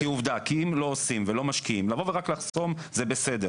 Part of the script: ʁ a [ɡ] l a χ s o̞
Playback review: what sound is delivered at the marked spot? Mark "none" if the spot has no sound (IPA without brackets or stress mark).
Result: k